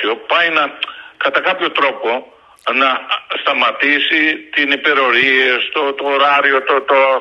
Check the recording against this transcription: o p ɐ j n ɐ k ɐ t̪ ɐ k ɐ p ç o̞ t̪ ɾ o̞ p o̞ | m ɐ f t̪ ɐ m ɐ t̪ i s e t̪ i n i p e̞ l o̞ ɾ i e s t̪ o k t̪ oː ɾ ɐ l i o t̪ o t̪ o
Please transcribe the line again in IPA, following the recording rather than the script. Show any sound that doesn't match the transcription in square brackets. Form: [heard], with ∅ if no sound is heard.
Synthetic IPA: o p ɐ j n ɐ k ɐ t̪ ɐ k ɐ p ç o̞ t̪ ɾ o̞ p o̞ | [n] ɐ [s] t̪ ɐ m ɐ t̪ i s [i] t̪ i n i p e̞ [ɾ] o̞ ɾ i e s t̪ o [∅] t̪ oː ɾ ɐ [ɾ] i o t̪ o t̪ o